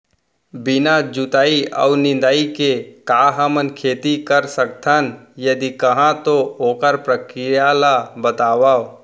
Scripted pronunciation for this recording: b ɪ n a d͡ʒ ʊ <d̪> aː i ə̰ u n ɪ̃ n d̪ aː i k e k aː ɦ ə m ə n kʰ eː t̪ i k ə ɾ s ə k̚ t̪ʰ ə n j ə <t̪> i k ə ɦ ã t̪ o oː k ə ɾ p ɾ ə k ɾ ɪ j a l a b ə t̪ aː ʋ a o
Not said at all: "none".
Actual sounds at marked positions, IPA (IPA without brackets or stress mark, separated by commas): t̪, d̪